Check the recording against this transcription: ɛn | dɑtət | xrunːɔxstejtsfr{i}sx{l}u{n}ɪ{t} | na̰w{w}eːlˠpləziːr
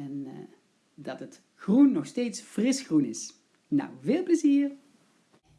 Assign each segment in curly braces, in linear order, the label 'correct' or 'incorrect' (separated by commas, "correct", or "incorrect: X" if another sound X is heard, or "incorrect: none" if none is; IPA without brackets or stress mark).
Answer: incorrect: ɪ, incorrect: r, correct, incorrect: s, incorrect: v